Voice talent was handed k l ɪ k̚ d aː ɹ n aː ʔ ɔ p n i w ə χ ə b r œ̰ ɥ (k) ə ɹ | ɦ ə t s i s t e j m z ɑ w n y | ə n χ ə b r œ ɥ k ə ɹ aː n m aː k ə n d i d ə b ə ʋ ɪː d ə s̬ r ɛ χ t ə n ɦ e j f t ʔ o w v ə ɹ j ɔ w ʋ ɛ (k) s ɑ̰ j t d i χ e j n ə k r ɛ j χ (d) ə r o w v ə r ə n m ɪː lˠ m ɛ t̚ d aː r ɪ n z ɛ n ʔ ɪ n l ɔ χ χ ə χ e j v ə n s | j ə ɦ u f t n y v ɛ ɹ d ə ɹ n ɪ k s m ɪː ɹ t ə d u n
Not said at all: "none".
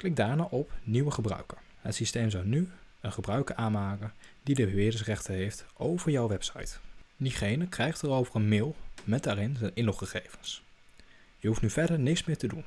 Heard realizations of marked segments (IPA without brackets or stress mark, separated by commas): k, p, t